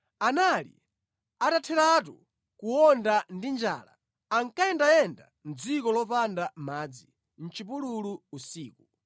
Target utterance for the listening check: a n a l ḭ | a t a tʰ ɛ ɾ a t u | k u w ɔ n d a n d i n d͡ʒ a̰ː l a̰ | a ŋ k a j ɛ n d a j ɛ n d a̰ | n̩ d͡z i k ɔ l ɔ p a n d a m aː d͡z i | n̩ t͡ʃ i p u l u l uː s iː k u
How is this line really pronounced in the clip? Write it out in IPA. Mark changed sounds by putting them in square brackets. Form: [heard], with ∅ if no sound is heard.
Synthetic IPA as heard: a n a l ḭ | a t a tʰ ɛ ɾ a t u | k u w ɔ n d a n d i n d͡ʒ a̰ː l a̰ | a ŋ k a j ɛ n d a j ɛ n d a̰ | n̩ d͡z i k ɔ l ɔ p a n d a m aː d͡z i | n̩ t͡ʃ i p u l u l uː s iː k u